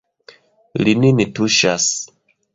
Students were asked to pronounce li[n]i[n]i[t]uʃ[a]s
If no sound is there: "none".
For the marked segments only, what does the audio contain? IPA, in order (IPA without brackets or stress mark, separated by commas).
n, n, t, a